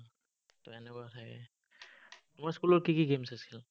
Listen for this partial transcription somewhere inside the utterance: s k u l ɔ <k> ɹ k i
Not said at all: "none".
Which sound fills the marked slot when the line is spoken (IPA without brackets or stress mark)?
none